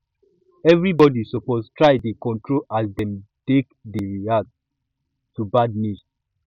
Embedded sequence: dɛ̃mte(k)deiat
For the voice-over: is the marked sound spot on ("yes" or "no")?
yes